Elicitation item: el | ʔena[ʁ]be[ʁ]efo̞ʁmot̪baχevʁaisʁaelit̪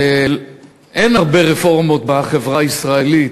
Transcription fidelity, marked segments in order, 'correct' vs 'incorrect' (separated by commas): correct, correct